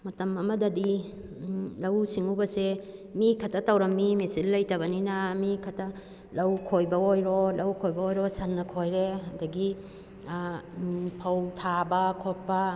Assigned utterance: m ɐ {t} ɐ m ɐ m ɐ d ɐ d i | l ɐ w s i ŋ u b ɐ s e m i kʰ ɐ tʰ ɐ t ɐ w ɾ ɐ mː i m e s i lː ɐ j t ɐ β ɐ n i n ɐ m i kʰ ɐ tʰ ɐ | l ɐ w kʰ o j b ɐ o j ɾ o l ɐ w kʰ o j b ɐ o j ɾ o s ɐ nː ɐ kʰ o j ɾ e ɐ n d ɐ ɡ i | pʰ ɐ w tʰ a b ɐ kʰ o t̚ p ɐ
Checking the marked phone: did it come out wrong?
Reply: no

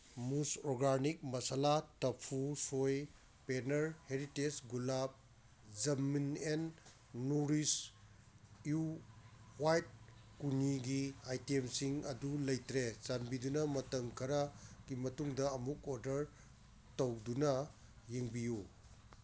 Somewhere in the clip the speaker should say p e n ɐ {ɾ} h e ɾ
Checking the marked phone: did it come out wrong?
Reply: no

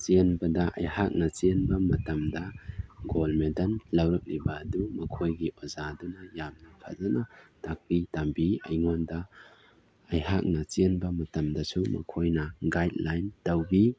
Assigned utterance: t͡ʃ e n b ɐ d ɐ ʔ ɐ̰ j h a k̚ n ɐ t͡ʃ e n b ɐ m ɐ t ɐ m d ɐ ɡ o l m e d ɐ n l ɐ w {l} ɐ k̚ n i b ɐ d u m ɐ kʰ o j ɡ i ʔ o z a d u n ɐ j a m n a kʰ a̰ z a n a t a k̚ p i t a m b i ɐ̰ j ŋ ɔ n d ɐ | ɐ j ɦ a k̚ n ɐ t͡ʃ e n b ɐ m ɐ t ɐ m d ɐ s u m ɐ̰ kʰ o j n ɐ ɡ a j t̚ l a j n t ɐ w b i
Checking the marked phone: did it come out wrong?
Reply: yes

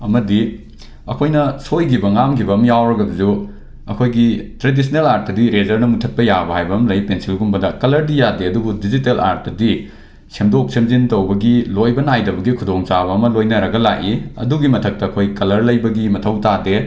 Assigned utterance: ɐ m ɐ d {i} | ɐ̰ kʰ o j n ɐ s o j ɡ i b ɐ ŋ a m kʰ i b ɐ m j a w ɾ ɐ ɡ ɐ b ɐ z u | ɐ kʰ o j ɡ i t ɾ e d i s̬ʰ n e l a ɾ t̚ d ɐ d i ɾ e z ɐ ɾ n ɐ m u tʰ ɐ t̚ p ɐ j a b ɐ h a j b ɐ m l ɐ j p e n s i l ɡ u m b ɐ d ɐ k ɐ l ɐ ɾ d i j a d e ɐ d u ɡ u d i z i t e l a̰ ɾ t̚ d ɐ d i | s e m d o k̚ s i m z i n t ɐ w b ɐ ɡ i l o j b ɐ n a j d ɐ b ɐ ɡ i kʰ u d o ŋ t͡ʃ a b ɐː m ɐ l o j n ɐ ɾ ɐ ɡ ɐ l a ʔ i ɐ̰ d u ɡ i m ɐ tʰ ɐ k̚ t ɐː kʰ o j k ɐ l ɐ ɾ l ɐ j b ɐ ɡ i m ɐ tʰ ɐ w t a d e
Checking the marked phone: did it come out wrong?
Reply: no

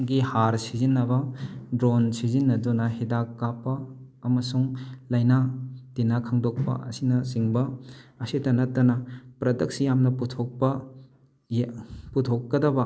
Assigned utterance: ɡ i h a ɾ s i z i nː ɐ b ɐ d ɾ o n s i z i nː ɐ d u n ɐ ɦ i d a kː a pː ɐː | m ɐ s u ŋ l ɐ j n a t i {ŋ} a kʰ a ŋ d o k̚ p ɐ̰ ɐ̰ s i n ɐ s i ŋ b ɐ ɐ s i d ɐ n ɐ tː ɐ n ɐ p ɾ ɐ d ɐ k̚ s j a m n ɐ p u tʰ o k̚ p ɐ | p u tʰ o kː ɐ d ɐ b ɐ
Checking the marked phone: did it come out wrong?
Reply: yes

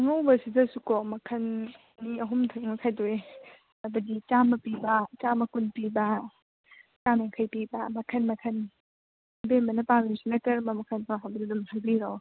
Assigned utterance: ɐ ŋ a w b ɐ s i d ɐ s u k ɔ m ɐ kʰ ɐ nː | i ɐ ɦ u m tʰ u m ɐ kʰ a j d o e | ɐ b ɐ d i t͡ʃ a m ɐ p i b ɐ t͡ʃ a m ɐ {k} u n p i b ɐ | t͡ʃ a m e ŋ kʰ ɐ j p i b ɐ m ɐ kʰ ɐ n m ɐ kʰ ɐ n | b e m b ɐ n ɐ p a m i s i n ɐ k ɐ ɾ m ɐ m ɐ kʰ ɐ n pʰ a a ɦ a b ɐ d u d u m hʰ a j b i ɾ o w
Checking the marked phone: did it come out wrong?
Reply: no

